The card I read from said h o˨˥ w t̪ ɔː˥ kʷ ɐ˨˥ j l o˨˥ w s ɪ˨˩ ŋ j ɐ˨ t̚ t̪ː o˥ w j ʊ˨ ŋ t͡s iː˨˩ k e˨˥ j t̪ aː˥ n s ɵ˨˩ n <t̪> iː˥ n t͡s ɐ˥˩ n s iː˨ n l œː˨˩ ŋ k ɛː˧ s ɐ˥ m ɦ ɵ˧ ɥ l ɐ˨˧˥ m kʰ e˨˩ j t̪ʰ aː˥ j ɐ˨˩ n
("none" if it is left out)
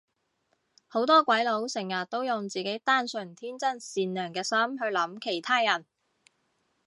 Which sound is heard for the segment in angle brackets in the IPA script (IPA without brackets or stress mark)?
t̪ʰ